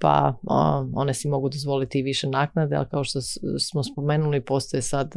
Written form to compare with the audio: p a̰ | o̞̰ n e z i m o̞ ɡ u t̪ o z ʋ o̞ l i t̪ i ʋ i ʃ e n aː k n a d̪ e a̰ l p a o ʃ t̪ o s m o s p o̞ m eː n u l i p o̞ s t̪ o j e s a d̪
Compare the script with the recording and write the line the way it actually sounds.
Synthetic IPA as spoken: p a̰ | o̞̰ n e s i m o̞ ɡ u d̪ o z ʋ o̞ l i t̪ i ʋ i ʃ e n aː k n a d̪ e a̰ l k a o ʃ t̪ o s m o s p o̞ m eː n u l i p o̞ s t̪ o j e s a d̪